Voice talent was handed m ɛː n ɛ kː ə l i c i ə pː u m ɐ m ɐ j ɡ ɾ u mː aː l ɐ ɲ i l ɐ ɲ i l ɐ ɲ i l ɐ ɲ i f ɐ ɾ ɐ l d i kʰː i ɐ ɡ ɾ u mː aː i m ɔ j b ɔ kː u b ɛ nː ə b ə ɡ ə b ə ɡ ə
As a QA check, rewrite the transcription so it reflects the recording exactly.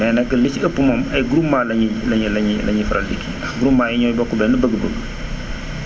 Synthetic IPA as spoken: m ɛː n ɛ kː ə l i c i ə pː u m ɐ m ɐ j ɡ ɾ u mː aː l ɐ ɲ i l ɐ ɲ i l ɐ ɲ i l ɐ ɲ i f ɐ ɾ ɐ l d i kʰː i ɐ ɡ ɾ u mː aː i ɲ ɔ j b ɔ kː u b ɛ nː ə b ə ɡ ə b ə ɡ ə